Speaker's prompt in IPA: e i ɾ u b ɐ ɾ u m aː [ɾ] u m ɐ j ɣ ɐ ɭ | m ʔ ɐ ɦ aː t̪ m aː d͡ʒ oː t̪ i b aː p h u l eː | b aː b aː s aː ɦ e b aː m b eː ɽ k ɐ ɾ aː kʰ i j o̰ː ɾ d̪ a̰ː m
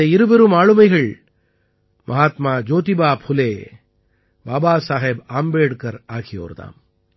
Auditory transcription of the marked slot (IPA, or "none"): ɭ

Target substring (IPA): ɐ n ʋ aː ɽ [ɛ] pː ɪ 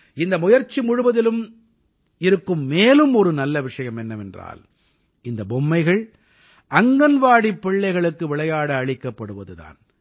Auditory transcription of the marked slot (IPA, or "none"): i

